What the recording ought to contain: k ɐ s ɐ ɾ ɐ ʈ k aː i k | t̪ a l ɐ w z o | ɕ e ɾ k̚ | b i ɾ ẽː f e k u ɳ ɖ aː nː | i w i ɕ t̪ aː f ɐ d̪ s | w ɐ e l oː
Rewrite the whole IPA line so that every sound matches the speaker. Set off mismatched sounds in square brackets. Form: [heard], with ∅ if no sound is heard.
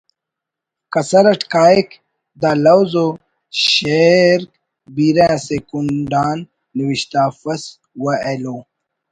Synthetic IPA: k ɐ s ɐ ɾ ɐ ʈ k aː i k | [d̪] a l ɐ w z o | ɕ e ɾ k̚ | b i ɾ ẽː [s] e k u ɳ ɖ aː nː | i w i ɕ t̪ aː f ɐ [∅] s | w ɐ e l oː